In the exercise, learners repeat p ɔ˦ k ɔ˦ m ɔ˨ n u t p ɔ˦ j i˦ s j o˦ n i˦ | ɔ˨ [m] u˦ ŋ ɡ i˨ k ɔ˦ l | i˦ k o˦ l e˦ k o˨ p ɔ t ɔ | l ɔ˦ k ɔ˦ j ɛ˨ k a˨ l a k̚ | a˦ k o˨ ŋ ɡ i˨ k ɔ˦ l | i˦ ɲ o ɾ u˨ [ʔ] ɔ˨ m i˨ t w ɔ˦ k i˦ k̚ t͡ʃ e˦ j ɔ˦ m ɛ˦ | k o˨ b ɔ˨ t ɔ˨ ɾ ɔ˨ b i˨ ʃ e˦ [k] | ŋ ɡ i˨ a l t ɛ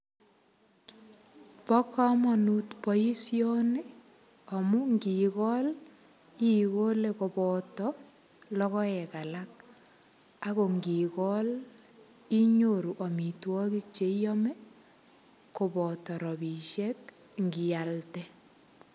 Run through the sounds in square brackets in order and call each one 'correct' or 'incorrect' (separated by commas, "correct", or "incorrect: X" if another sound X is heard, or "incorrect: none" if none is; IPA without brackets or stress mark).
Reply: correct, correct, correct